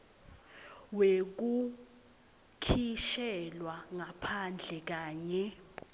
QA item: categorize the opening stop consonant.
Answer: plain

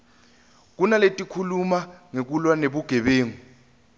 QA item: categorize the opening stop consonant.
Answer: plain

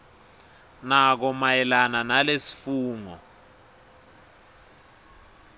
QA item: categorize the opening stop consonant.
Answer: plain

